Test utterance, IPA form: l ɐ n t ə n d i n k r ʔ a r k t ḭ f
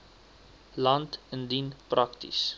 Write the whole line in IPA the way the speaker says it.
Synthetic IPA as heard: l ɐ n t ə n d i n p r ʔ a k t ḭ s